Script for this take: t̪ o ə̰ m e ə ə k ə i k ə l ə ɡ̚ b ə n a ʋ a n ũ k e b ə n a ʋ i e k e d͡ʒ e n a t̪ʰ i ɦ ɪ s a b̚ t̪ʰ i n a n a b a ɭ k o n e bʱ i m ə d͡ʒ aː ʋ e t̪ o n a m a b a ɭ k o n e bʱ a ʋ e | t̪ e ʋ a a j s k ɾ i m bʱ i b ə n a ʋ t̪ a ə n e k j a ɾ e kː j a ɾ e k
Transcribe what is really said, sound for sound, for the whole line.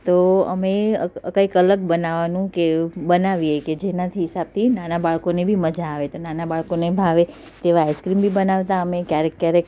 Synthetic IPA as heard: t̪ o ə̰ m e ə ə k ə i k ə l ə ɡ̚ b ə n a ʋ a n ũ k e b ə n a ʋ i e k e d͡ʒ e n a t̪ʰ i ɦ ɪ s a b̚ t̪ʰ i n a n a b a ɭ k o n e bʱ i m ə d͡ʒ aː ʋ e t̪ o n a n a b a ɭ k o n e bʱ a ʋ e | t̪ e ʋ a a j s k ɾ i m bʱ i b ə n a ʋ t̪ a ə m e k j a ɾ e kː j a ɾ e k